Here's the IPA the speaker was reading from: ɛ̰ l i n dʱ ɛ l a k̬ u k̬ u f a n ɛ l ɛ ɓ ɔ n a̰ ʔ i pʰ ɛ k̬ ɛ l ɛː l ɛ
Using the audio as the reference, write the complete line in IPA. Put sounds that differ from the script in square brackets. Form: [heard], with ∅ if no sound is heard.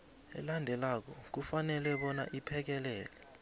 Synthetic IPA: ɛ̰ l [a] n dʱ ɛ l a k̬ [ɔ] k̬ u f a n ɛ l ɛ ɓ ɔ n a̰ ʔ i pʰ ɛ k̬ ɛ l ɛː l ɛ